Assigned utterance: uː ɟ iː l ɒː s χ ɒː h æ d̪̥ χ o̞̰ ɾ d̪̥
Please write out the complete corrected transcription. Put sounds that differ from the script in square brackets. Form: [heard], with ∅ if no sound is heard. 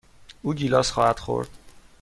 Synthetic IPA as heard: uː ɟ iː l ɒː s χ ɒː h æ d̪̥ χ o̞̰ ɾ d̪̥